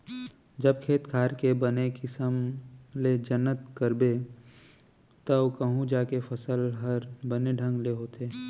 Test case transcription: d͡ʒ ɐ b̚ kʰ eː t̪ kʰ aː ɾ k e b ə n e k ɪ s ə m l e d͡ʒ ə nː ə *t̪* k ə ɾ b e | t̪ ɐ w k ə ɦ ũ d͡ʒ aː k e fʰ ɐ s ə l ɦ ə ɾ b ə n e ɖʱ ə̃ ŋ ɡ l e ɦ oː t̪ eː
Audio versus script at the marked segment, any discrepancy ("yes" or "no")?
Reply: no